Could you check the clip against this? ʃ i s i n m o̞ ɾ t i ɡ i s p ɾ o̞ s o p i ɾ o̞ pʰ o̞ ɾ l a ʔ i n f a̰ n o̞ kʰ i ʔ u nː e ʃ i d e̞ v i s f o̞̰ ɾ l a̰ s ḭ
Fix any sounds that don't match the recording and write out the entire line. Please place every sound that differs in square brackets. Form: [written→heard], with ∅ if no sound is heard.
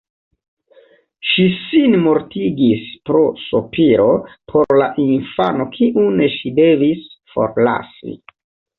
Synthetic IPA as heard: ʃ i s i n m o̞ ɾ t i ɡ i s p ɾ o̞ s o p i ɾ o̞ pʰ o̞ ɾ l a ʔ i n f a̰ n o̞ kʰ i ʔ u [nː→n] e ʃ i d e̞ v i s f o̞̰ ɾ l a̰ s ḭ